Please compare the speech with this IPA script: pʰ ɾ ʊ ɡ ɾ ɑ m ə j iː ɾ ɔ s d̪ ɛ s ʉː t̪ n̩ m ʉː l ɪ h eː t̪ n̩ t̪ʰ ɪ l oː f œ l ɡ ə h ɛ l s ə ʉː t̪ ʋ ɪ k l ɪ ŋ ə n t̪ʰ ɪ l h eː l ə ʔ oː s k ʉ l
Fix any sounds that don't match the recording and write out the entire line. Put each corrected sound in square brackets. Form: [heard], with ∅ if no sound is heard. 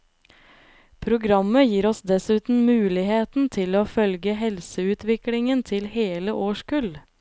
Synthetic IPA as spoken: pʰ ɾ ʊ ɡ ɾ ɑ m ə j iː ɾ ɔ s d̪ ɛ s ʉː t̪ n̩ m ʉː l ɪ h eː t̪ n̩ t̪ʰ ɪ l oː f œ l ɡ ə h ɛ l s ə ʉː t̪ ʋ ɪ k l ɪ ŋ ə n t̪ʰ ɪ l h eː l ə ʔ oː [ʃ] k ʉ l